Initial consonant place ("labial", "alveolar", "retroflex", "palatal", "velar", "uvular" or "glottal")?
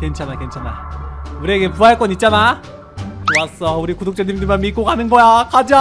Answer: velar